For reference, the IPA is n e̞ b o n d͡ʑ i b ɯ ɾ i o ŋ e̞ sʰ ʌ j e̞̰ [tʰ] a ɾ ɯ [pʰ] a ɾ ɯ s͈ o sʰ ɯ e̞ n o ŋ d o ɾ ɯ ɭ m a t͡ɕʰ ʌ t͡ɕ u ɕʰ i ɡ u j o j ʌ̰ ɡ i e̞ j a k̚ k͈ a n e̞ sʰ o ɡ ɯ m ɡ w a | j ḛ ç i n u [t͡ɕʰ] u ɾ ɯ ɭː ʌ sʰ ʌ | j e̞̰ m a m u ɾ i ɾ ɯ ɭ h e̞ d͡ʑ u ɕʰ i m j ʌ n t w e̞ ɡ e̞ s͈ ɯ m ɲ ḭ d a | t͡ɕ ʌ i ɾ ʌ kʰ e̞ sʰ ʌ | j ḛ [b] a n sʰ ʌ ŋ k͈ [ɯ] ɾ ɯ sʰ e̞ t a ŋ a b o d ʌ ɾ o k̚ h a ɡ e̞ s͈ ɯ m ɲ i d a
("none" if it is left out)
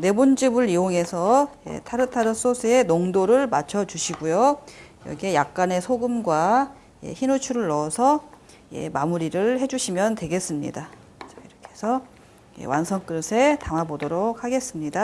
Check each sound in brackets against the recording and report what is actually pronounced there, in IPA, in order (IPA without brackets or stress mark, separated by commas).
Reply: tʰ, tʰ, t͡ɕʰ, w, ɯ